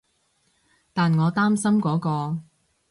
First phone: t̪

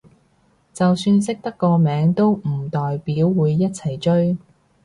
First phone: t͡s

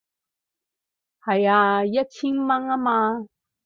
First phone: h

